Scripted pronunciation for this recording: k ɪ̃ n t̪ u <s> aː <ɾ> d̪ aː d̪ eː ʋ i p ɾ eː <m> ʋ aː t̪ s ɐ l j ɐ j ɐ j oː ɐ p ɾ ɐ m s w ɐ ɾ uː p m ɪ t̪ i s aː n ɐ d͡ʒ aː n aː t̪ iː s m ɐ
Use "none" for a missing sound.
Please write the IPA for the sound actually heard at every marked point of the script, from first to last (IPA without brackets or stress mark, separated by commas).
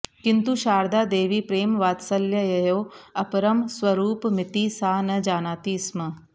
ʃ, ɾ, m